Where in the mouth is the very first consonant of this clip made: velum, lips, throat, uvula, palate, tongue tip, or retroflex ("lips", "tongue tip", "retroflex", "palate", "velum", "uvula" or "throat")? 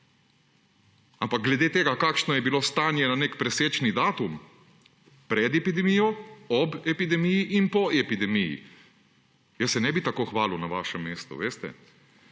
lips